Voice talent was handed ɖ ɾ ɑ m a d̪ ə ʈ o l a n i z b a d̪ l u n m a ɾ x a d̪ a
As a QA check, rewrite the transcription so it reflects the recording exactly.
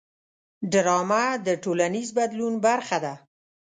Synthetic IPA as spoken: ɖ ɾ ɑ m a d̪ ə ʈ o l a n i z b a d̪ l u n b a ɾ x a d̪ a

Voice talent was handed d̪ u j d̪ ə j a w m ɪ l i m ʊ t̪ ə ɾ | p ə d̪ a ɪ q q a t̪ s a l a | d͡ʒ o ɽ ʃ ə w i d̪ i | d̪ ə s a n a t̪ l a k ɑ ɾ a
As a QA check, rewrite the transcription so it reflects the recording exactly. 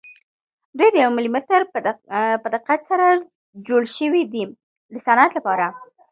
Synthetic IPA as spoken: d̪ u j d̪ ə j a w m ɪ l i m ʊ t̪ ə ɾ | p ə d̪ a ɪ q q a t̪ s a ɾ a | d͡ʒ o ɽ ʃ ə w i d̪ i | d̪ ə s a n a t̪ l a p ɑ ɾ a

